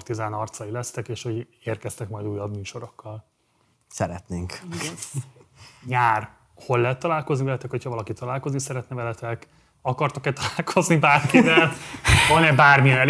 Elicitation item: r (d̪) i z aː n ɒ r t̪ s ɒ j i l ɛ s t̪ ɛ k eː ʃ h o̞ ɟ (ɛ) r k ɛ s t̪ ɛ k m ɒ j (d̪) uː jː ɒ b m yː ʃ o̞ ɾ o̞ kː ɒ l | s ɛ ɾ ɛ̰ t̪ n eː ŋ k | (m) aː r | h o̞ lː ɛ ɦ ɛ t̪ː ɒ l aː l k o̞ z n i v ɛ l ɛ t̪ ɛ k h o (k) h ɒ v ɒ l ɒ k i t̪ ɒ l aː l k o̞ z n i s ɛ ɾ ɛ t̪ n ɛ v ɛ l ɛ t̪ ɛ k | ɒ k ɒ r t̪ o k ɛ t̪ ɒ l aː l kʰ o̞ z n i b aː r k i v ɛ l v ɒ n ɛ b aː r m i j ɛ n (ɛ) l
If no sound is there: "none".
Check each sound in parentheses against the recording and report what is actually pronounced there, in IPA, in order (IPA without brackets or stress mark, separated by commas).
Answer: t̪, e, d̪, ɲ, c, ɛ